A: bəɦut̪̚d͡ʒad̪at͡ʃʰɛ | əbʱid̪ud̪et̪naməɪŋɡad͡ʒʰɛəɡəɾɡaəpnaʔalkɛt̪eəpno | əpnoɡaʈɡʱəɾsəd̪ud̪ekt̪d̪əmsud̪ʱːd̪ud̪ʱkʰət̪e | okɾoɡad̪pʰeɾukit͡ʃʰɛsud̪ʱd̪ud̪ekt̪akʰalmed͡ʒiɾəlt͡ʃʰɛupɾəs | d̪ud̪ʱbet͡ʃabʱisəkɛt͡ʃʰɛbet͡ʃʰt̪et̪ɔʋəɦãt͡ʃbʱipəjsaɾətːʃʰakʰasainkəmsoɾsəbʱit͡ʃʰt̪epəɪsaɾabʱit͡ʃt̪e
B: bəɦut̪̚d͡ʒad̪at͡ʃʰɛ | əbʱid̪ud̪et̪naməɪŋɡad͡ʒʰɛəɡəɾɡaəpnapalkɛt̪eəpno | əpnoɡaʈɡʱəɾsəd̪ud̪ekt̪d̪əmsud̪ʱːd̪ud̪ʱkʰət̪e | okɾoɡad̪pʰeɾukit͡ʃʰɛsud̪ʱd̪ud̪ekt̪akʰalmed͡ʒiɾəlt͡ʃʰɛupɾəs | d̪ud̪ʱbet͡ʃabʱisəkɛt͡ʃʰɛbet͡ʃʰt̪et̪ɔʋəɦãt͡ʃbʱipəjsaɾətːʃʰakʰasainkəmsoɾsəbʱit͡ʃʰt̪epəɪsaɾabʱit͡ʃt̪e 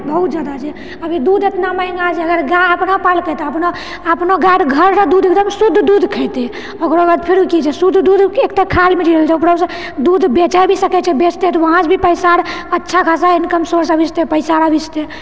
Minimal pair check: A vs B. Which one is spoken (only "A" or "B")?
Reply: B